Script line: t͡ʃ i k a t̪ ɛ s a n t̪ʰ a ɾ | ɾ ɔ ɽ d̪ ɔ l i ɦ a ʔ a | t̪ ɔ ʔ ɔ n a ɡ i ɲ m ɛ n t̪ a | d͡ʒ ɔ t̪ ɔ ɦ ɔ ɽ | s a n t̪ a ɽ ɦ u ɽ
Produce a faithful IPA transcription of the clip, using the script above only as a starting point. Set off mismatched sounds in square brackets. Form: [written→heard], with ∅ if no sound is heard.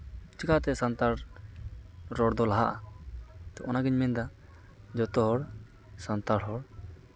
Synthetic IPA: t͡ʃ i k a t̪ ɛ s a n [t̪ʰ→t̪] a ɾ | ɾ ɔ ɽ d̪ ɔ l [i→a] ɦ a ʔ a | t̪ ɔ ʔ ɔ n a ɡ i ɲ m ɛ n [t̪→d̪] a | d͡ʒ ɔ t̪ ɔ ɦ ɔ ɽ | s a n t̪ a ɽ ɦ [u→ɔ] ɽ